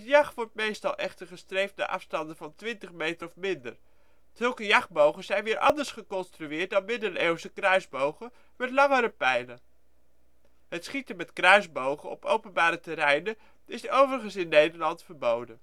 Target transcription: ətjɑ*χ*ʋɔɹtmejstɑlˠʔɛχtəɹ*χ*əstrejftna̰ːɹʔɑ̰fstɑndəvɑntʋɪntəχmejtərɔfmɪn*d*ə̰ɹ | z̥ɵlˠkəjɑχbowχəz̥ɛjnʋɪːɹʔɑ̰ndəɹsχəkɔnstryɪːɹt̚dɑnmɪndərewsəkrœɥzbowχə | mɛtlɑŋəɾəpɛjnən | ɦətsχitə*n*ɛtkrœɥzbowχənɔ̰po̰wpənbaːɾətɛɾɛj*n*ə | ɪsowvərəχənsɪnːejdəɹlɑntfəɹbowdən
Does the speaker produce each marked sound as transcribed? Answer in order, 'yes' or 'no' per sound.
yes, yes, yes, no, yes

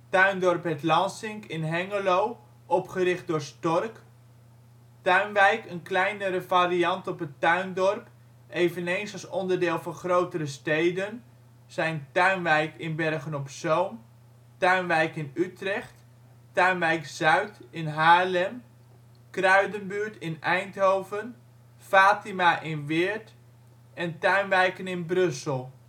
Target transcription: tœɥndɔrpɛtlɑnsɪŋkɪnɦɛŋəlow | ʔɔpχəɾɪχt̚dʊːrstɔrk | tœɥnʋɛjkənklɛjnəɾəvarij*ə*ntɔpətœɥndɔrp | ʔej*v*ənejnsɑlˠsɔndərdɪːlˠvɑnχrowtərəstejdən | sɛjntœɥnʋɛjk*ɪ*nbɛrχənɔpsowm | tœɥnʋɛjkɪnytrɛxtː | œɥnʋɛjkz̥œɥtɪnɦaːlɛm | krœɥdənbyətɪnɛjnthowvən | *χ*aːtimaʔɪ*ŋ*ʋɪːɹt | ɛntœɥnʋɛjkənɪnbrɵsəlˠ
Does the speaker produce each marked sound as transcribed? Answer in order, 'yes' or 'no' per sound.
no, yes, yes, no, no

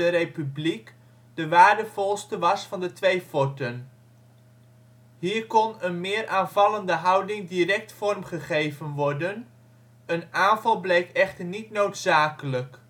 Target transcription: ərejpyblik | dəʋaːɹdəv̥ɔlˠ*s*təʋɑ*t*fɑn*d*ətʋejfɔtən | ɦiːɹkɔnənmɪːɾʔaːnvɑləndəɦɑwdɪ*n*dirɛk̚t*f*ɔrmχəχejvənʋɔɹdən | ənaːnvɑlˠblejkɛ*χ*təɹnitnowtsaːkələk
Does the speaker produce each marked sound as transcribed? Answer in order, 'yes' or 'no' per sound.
yes, no, yes, no, yes, yes

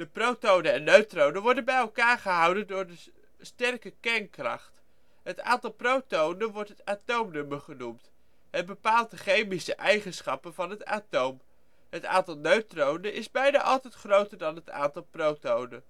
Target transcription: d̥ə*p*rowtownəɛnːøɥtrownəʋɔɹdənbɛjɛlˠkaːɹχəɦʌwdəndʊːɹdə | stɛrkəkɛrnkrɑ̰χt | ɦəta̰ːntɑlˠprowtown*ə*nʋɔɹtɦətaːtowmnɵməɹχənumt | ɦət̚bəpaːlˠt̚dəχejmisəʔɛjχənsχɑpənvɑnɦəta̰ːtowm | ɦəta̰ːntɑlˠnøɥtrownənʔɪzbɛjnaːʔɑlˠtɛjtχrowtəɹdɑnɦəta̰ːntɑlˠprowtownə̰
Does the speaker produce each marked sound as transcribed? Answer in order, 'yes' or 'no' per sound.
yes, yes

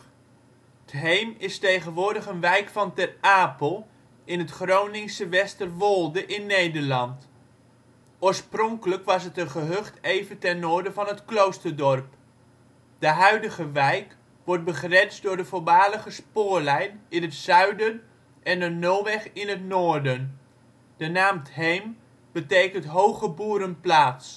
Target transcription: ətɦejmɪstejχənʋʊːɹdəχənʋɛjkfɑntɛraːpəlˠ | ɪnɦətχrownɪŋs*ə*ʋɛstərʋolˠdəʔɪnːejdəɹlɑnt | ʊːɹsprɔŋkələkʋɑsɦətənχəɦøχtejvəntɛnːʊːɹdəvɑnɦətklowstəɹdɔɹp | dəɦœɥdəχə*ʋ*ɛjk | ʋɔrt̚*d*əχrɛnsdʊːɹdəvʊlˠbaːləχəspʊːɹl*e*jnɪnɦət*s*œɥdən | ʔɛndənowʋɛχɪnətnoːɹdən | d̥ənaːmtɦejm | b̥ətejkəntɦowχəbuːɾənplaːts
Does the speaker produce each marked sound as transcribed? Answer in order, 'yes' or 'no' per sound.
yes, yes, no, no, yes

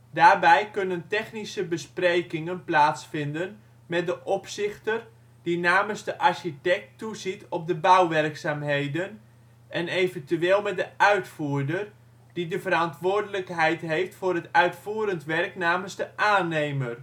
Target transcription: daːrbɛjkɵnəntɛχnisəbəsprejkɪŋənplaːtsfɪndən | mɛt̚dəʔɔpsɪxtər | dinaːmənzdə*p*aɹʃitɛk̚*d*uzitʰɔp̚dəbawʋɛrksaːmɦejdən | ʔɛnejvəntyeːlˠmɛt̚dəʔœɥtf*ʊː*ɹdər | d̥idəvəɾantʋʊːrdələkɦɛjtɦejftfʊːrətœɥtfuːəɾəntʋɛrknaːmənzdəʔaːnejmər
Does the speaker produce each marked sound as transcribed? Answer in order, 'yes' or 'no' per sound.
no, no, no

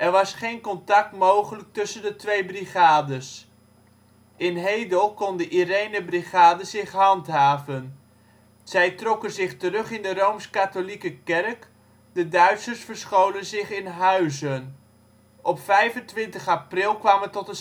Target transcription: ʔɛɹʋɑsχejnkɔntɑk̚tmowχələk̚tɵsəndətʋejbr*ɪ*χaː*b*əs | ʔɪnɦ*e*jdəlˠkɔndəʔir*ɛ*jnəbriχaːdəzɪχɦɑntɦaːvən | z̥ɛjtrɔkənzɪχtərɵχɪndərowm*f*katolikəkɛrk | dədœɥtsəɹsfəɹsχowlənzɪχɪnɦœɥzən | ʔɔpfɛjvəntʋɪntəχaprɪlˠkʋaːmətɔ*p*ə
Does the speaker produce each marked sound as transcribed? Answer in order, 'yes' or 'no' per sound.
no, no, yes, no, no, no

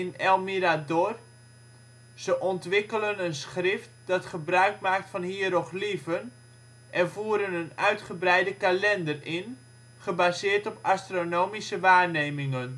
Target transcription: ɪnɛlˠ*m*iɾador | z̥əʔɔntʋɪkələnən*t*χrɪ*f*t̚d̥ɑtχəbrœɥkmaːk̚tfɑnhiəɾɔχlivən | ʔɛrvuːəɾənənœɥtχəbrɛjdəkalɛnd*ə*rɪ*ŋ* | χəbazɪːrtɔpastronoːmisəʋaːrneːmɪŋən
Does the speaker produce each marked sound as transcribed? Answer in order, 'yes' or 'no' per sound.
yes, no, yes, yes, no

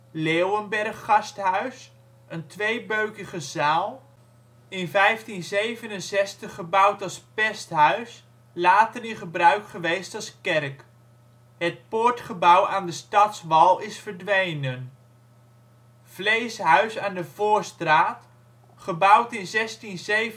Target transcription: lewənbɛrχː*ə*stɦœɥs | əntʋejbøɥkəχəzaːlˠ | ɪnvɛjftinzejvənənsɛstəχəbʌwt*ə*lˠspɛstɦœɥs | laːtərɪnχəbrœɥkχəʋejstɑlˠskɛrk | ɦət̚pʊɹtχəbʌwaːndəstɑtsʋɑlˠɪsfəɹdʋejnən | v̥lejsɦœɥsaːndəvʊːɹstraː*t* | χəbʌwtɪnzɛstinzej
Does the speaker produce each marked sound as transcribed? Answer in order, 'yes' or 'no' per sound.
no, no, yes

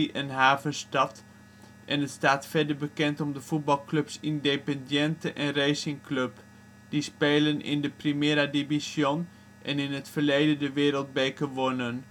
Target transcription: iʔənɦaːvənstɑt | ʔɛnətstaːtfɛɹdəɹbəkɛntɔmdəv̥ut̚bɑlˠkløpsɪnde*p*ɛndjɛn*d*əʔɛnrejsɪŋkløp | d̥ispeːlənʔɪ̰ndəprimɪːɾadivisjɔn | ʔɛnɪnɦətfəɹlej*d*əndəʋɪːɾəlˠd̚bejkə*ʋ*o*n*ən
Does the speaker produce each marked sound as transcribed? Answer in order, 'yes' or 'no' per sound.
yes, no, yes, yes, yes

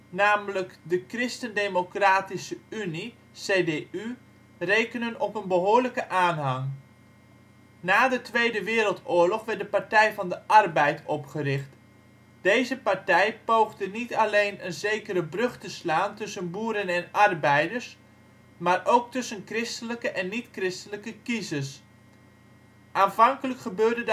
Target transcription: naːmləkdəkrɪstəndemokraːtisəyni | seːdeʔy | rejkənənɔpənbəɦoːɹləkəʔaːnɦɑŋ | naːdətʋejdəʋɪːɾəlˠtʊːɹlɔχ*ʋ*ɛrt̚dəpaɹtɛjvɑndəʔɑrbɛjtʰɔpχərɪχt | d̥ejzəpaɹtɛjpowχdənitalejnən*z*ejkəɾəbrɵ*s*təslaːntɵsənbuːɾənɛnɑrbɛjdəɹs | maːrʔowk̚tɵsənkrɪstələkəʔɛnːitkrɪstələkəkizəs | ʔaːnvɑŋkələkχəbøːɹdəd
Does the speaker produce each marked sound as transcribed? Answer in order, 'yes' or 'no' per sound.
yes, yes, no

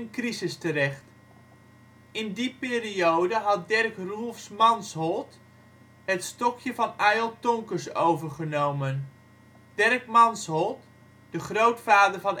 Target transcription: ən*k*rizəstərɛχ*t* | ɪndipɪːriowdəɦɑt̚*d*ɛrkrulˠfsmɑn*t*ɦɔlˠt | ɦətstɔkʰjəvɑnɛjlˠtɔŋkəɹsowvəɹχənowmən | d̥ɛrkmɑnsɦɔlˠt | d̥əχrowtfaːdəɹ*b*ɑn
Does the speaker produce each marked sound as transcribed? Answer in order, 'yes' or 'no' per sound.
yes, yes, yes, no, no

